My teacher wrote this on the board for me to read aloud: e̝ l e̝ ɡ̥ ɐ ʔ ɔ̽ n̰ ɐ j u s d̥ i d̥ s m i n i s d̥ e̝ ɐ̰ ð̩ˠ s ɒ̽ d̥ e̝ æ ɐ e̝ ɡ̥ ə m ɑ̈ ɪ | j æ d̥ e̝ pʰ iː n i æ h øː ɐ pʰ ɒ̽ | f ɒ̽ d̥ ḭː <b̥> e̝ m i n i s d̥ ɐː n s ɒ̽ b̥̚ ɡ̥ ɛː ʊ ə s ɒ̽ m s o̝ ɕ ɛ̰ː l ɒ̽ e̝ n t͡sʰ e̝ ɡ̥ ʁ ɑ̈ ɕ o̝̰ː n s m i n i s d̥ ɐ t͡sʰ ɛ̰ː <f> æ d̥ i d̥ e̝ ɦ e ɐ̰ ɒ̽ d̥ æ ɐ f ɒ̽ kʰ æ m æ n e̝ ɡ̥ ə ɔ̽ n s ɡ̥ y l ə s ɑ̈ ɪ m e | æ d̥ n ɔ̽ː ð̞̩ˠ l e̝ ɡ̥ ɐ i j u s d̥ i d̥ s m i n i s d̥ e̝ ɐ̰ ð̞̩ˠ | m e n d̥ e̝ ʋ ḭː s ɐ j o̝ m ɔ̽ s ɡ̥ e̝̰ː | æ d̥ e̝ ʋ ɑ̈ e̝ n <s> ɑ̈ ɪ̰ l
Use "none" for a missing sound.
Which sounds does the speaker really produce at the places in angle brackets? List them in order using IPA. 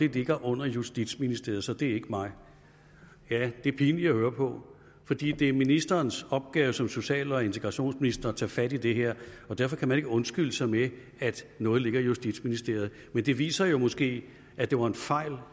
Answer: d̥, f, f

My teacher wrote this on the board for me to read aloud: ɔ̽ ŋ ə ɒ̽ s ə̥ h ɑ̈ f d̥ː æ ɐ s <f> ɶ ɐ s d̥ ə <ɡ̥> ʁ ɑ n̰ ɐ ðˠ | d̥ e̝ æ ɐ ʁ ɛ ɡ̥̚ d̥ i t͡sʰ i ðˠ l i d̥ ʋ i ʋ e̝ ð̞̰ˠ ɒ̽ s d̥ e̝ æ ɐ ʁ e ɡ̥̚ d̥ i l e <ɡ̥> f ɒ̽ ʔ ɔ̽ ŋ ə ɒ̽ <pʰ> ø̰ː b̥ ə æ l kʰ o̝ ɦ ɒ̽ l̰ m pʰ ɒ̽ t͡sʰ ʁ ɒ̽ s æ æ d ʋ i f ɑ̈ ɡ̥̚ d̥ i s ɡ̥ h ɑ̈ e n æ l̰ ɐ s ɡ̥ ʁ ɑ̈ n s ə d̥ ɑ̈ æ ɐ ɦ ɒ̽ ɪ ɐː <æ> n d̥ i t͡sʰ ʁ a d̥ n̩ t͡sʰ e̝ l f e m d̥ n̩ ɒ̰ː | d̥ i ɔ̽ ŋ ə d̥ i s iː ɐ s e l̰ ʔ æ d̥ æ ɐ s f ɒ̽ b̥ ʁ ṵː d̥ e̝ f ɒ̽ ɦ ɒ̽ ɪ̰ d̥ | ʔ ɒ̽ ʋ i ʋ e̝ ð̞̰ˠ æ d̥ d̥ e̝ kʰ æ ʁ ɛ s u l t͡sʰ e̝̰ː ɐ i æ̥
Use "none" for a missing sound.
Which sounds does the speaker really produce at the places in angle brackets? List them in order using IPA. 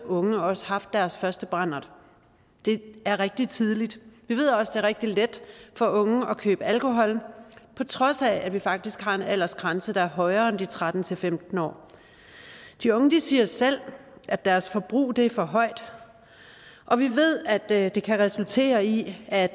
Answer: f, b̥, d̥, kʰ, e

